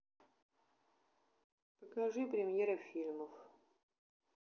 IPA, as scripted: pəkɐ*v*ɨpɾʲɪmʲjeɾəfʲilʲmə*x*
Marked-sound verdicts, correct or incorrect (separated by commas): incorrect, incorrect